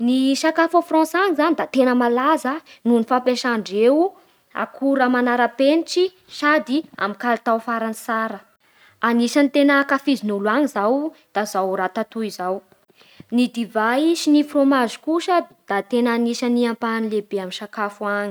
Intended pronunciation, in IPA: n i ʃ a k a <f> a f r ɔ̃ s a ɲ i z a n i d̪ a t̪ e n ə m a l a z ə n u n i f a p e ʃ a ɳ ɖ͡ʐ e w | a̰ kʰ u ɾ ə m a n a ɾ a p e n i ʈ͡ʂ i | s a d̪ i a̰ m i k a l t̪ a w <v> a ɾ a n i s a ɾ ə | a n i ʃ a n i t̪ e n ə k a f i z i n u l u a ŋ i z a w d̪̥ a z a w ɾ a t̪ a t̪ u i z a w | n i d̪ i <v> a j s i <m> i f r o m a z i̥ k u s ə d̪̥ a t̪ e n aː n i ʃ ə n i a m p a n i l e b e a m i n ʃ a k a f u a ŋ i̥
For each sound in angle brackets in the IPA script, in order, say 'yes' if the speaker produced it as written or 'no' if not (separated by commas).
yes, no, yes, no